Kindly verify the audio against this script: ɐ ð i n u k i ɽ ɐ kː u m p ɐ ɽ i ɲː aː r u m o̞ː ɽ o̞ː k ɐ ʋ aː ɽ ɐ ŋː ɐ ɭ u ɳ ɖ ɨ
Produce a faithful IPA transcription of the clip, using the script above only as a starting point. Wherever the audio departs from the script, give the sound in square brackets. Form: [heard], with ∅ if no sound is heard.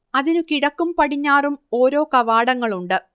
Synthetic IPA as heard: ɐ ð i n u k i ɽ ɐ kː u m p ɐ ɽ i ɲː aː r u m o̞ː [ɾ] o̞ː k ɐ ʋ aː ɽ ɐ ŋː ɐ ɭ u ɳ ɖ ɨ